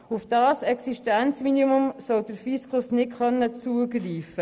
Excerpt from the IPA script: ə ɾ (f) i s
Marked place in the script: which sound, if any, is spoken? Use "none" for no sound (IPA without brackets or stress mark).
f